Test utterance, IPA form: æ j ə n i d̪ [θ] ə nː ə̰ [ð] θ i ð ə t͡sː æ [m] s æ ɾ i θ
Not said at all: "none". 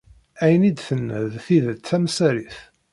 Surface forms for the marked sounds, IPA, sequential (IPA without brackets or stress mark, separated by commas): θ, ð, m